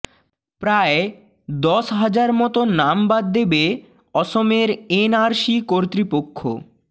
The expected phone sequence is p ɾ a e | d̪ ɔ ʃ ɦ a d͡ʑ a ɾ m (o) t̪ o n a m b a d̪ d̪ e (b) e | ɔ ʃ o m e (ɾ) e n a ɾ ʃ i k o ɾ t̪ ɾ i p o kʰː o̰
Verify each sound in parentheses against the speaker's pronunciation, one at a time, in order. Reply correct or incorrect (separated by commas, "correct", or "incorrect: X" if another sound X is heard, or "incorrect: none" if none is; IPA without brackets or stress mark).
incorrect: ɔ, correct, correct